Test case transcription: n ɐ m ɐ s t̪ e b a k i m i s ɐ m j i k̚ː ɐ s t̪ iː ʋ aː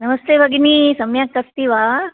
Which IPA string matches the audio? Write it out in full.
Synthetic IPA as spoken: n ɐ m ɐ s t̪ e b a ɡ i n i s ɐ m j a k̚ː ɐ s t̪ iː ʋ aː